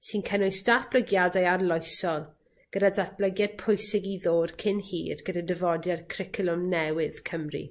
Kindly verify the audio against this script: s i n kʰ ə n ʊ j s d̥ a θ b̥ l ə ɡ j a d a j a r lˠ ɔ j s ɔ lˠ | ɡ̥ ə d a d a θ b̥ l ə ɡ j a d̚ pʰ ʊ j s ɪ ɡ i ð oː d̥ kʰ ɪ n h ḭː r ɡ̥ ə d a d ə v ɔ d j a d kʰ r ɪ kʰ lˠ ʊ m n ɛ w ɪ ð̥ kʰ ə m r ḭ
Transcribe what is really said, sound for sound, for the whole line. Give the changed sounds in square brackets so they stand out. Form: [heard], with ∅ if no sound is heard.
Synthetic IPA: s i n kʰ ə n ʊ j s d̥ a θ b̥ l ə ɡ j a d a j a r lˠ ɔ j s ɔ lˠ | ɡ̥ ə d a d a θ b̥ l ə ɡ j a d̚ pʰ ʊ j s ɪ ɡ i ð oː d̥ kʰ ɪ n h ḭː r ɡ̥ ə d a d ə v ɔ d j a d kʰ r ɪ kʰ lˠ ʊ m n ɛ w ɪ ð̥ kʰ ə m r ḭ